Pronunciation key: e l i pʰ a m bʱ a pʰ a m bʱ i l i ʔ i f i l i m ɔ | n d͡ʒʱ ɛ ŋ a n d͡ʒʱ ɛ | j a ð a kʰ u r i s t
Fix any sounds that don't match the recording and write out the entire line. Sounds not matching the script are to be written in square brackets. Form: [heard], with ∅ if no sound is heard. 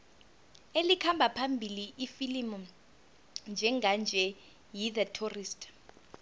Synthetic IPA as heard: e l i [kʰ] a m bʱ a pʰ a m bʱ i l i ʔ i f i l i m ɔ | n d͡ʒʱ ɛ ŋ a n d͡ʒʱ ɛ | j [i] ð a [tʰ] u r i s t